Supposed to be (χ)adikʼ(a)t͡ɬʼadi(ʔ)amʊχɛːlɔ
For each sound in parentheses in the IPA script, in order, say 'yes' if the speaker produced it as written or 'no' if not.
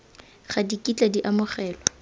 yes, no, yes

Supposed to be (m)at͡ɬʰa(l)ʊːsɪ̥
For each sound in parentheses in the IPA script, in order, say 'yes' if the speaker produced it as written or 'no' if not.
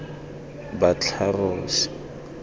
no, no

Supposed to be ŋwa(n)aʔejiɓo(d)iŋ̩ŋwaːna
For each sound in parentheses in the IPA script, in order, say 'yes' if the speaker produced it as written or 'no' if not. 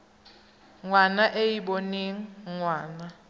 yes, no

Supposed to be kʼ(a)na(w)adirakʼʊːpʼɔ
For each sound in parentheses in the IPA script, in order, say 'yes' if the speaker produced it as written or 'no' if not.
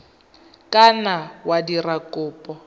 yes, yes

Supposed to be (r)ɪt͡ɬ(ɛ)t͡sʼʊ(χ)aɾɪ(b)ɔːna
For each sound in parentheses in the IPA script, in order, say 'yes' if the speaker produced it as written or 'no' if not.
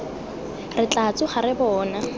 yes, no, yes, yes

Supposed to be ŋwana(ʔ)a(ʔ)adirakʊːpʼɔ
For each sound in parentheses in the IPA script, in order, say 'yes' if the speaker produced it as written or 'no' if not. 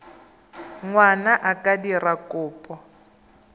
yes, no

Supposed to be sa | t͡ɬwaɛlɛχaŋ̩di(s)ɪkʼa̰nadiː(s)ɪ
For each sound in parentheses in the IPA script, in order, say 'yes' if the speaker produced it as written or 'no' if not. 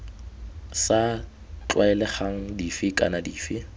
no, no

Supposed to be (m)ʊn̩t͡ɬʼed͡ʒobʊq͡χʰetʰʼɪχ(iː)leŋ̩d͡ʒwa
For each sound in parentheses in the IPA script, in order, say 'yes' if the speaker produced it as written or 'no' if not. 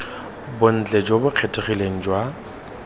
no, no

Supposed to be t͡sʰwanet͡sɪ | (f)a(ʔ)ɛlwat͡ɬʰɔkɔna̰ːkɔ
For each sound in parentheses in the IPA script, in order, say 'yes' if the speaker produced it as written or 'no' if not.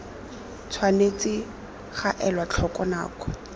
no, yes

